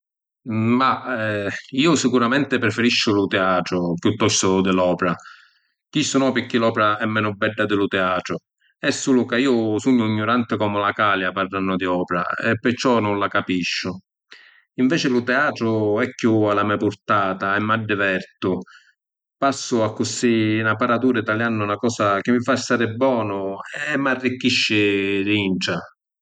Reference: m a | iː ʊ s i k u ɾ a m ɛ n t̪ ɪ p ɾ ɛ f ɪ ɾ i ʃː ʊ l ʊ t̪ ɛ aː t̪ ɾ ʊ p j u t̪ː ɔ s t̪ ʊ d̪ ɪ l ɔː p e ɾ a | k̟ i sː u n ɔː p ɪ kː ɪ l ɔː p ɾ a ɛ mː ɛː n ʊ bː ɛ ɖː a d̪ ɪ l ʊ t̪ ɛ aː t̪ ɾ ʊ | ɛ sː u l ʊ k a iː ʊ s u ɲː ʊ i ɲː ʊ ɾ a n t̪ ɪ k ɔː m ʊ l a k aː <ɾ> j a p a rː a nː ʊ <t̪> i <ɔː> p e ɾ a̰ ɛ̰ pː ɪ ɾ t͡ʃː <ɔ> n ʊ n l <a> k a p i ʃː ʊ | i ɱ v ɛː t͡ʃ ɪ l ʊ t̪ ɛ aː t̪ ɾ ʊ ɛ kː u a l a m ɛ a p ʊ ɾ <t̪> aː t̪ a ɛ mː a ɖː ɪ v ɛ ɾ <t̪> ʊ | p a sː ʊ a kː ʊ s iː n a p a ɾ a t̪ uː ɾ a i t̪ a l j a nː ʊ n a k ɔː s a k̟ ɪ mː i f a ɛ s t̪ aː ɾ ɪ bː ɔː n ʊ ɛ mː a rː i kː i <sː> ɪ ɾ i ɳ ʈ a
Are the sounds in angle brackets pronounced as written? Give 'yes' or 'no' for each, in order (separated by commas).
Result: no, no, yes, yes, yes, yes, yes, no